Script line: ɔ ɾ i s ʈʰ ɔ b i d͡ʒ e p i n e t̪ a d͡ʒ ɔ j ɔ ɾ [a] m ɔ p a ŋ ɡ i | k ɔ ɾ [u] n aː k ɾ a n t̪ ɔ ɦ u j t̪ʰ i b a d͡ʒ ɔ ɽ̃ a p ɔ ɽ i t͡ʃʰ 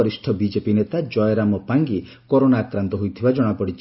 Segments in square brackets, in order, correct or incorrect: correct, incorrect

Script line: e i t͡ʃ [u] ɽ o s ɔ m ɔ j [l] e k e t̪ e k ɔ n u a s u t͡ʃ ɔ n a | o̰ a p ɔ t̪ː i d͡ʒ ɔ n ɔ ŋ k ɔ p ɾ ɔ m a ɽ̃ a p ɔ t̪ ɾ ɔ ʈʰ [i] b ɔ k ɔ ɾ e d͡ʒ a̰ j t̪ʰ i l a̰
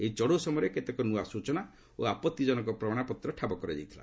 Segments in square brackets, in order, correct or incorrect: incorrect, incorrect, incorrect

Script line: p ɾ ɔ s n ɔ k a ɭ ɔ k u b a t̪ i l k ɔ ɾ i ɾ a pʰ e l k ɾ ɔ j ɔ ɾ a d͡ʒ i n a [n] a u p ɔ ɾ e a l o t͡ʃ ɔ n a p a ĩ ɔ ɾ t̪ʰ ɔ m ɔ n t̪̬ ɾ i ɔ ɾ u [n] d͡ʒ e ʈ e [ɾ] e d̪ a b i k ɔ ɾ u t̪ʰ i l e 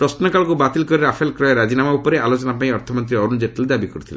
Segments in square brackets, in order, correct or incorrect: incorrect, correct, incorrect

